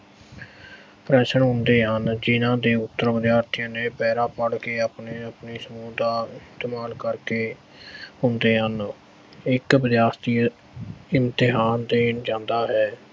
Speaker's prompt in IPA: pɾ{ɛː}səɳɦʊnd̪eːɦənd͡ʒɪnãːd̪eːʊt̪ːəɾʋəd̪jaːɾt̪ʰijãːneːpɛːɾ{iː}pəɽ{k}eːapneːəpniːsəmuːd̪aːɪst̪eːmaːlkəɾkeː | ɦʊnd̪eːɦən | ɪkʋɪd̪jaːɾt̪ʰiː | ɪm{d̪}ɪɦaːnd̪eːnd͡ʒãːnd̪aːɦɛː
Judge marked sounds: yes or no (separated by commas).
yes, no, yes, no